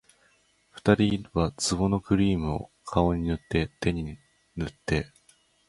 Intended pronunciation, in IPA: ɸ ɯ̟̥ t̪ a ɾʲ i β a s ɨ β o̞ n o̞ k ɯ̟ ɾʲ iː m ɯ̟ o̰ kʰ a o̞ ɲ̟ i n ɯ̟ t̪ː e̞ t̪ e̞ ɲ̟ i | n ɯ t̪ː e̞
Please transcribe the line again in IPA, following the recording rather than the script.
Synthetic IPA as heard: ɸ ɯ̟̥ t̪ a ɾʲ i β a t͡s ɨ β o̞ n o̞ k ɯ̟ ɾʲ iː m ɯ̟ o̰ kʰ a o̞ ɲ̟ i n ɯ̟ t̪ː e̞ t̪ e̞ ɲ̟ i | n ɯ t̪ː e̞